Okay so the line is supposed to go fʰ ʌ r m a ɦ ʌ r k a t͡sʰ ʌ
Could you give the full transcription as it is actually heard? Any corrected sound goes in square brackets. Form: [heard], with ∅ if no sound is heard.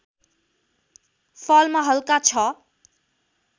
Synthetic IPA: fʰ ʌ [l] m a ɦ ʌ [l] k a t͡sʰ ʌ